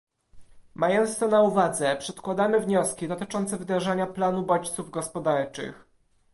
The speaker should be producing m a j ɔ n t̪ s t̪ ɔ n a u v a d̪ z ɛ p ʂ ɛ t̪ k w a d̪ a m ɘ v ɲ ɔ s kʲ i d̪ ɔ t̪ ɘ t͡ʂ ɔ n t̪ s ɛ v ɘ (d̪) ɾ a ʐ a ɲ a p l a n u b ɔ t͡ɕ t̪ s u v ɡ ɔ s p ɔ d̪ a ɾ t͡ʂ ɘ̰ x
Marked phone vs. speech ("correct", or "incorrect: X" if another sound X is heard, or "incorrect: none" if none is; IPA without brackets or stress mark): correct